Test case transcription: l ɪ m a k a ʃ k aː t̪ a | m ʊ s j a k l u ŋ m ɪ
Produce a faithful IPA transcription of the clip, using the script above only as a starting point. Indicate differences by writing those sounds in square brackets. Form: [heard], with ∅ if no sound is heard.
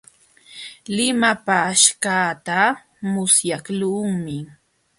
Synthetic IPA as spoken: l ɪ m a [p] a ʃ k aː t̪ a | m ʊ s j a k l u ŋ m ɪ